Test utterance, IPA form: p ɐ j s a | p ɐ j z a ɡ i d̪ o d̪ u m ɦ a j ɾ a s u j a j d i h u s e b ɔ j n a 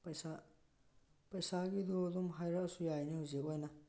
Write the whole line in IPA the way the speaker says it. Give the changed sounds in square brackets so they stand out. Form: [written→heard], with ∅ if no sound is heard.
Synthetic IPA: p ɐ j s a | p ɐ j [z→s] a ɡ i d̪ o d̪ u m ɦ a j ɾ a s u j a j [d→n] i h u [s→z] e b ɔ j n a